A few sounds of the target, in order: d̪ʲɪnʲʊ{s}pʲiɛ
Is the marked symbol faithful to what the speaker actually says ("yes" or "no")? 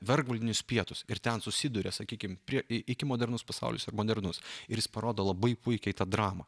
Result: yes